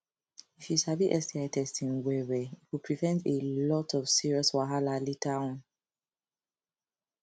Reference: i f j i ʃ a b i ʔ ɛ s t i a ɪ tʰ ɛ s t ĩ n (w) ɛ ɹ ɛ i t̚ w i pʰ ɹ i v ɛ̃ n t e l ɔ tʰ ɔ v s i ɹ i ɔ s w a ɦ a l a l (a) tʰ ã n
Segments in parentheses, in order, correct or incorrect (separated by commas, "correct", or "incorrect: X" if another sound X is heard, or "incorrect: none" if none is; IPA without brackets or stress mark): correct, incorrect: i